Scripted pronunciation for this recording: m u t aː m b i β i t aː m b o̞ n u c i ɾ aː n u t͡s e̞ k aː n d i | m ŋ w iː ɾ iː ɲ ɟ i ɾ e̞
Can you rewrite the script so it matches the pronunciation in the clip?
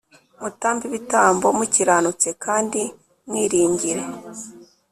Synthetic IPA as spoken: m u t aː m b i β i t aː m b o̞ m u c i ɾ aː n u t͡s e̞ k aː n d i | m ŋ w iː ɾ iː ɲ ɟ i ɾ e̞